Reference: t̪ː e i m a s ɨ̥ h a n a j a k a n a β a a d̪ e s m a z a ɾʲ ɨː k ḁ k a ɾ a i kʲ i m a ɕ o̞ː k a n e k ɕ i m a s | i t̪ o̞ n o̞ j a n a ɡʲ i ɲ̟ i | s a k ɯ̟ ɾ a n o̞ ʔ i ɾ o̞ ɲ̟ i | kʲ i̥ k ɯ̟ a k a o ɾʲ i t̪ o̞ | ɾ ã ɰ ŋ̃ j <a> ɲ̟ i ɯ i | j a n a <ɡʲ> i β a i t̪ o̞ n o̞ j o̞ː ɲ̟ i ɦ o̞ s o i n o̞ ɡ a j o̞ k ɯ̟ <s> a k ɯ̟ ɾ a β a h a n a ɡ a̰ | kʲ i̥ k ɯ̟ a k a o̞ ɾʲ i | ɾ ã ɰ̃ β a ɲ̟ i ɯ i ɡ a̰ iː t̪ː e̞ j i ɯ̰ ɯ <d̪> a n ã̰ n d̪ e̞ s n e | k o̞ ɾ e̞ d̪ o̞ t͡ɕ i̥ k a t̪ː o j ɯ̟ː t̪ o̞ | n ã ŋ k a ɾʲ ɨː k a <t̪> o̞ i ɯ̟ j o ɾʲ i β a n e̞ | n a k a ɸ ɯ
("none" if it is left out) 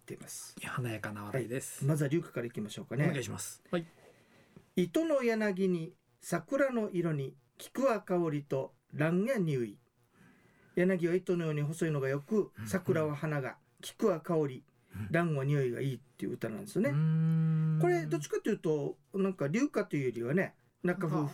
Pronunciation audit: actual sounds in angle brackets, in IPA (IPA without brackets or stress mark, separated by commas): a, ɡʲ, s, t̪, t̪